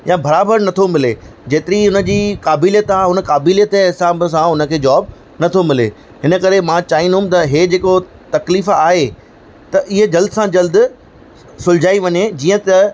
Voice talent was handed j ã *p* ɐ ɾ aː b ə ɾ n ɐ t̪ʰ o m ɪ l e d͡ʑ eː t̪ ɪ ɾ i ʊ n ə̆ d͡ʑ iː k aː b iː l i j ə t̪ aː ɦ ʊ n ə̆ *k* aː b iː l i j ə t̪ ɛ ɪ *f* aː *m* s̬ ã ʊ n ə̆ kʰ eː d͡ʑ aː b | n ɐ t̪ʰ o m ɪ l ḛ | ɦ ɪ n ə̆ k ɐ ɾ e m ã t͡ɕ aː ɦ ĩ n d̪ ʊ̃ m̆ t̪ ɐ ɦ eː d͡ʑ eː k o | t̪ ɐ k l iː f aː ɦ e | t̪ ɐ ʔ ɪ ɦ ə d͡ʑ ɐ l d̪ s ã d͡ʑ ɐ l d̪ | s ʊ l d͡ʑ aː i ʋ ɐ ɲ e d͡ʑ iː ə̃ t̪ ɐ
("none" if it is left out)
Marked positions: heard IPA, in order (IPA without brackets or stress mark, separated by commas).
b, k, s, b